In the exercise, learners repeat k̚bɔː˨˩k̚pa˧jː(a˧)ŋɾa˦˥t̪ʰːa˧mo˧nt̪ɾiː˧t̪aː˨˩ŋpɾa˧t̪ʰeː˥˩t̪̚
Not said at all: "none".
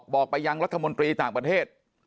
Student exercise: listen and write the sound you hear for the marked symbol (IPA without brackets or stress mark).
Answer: a˧